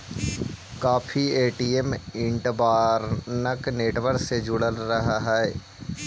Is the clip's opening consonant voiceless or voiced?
voiceless